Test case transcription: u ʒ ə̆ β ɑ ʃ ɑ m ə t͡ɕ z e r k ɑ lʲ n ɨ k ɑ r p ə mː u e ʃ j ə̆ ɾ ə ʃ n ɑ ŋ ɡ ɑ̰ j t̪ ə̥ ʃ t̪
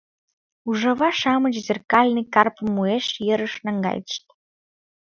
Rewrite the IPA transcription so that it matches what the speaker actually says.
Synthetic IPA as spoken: u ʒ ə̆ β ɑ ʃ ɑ m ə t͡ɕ z e r k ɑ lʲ n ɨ k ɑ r p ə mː u e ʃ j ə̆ ɾ ə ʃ n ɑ ŋ ɡ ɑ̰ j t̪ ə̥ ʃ t̪